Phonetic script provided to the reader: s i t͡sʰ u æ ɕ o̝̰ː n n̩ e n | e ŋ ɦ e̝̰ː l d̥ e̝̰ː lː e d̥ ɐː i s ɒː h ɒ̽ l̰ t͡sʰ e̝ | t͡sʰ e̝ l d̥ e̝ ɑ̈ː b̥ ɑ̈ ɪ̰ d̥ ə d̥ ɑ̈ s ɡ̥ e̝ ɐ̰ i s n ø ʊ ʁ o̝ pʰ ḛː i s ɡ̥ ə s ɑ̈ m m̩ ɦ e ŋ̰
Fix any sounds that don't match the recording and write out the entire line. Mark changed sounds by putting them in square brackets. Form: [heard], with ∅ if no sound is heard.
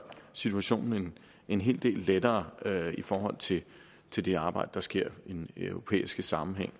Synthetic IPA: s i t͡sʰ u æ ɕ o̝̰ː n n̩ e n | e [n] ɦ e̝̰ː l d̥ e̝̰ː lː e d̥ ɐː i [f] ɒː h ɒ̽ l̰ t͡sʰ e̝ | t͡sʰ e̝ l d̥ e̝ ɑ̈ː b̥ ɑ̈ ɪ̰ d̥ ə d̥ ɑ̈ s ɡ̥ e̝ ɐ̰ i [∅] n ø ʊ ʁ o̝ pʰ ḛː i s ɡ̥ ə s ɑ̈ m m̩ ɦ e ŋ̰